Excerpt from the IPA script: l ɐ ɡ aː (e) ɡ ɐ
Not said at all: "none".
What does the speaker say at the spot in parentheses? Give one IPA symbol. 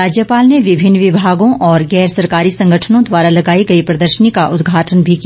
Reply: i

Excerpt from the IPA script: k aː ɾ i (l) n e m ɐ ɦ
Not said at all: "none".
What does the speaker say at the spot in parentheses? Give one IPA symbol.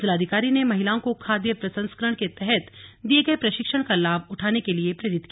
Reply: none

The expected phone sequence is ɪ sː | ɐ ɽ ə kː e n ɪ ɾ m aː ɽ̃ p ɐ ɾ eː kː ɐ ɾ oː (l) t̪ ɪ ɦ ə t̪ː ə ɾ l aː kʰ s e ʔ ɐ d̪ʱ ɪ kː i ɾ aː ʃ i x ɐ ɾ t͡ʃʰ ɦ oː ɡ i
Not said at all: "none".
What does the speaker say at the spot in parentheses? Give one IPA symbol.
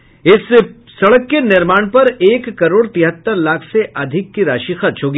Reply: ɽ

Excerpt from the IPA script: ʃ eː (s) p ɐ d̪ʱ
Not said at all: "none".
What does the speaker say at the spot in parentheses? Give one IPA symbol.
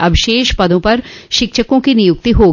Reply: ʃ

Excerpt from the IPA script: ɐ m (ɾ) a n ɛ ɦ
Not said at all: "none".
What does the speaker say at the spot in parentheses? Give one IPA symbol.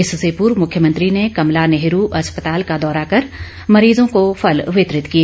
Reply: l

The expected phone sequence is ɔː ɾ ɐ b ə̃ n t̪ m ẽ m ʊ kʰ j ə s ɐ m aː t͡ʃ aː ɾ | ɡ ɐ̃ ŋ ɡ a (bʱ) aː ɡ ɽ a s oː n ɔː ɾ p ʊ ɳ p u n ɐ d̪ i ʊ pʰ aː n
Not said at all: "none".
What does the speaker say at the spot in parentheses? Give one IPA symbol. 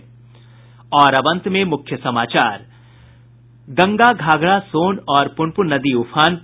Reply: ɡʱ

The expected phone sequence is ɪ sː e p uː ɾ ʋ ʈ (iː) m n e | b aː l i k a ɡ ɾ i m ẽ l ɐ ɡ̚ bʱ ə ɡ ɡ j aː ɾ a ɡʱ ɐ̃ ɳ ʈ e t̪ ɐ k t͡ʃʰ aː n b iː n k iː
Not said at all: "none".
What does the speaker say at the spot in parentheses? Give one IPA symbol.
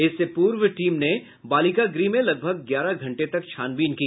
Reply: iː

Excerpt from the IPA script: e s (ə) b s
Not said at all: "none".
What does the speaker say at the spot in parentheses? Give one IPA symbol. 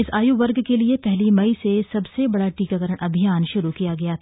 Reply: ɐ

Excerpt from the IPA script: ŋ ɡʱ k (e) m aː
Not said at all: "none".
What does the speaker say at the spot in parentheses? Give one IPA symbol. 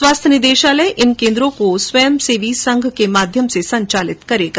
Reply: e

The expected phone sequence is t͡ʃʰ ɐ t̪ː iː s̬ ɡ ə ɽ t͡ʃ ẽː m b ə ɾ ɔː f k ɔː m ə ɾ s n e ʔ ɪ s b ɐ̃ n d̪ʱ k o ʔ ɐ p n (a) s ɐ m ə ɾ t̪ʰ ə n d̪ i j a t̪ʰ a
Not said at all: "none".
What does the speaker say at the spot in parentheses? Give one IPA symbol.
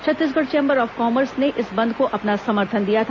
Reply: a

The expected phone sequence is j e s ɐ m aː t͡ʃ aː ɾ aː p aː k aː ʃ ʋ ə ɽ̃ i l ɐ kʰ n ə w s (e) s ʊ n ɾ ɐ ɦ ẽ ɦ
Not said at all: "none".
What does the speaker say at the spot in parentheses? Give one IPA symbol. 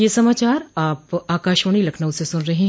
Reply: e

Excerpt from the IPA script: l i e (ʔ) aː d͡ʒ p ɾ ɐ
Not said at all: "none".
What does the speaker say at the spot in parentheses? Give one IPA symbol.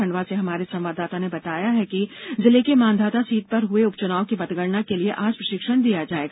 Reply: ʔ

